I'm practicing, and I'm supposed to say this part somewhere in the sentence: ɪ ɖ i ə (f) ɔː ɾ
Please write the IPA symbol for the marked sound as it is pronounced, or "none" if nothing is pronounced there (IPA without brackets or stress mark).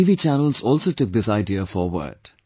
f